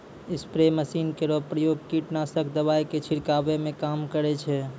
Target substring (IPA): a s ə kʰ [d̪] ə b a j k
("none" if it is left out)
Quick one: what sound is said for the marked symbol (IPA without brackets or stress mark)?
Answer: d̪